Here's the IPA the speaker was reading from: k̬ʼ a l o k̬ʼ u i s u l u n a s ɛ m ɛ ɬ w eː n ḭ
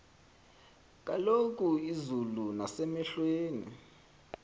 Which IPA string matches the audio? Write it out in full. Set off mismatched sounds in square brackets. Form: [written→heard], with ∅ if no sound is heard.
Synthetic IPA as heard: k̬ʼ a l o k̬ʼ u i [s→z] u l u n a s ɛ m ɛ ɬ w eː n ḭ